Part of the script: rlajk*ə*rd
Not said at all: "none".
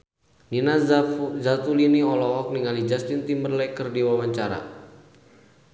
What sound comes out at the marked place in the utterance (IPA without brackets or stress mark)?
ə